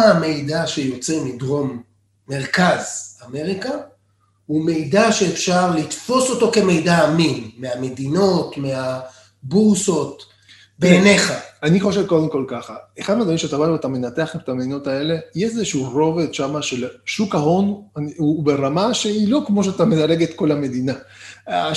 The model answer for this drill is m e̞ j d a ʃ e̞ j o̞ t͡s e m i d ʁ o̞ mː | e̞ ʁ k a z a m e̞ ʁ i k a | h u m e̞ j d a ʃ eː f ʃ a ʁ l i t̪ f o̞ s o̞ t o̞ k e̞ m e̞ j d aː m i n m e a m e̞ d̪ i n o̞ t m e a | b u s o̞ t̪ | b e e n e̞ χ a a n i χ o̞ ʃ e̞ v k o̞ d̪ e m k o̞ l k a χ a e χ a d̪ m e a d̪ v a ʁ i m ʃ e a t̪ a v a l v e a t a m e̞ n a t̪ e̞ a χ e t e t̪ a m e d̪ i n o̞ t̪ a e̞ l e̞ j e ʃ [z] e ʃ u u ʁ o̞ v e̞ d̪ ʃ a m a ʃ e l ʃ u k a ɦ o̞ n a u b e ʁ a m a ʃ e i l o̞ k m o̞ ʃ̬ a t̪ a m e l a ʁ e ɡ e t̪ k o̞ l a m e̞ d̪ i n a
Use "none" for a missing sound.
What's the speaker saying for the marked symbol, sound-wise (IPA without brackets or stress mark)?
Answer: z